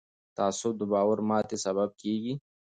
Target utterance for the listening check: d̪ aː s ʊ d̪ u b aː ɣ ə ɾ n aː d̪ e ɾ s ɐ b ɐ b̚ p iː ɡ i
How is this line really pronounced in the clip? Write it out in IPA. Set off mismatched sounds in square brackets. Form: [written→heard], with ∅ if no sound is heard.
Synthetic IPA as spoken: [d̪→t̪] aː s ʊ d̪ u b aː [ɣ→w] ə ɾ [n→m] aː [d̪→t̪] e [ɾ→∅] s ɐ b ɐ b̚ [p→k] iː ɡ i